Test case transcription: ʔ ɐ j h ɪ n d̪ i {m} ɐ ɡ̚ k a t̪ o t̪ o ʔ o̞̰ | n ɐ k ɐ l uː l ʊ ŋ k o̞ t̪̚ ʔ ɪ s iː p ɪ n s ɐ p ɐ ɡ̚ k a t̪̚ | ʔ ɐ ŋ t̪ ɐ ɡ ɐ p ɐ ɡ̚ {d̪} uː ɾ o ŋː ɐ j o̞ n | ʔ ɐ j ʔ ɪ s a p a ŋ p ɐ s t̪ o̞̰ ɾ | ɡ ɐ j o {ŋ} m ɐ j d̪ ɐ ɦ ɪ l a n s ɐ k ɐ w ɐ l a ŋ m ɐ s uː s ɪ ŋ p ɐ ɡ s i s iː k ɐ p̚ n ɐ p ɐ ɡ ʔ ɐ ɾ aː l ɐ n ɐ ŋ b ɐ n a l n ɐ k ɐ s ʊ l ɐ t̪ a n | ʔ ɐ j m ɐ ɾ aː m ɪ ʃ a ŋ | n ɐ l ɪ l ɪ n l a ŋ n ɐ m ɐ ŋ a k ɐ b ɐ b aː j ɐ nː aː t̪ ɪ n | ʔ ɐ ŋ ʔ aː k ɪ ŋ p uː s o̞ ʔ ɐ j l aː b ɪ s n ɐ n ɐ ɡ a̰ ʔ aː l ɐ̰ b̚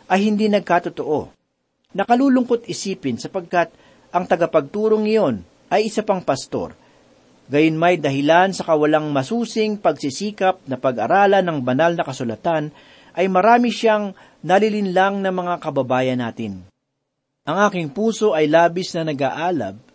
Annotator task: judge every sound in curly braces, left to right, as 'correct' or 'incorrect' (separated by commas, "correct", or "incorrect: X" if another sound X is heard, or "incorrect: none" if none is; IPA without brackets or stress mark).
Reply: incorrect: n, incorrect: t̪, incorrect: n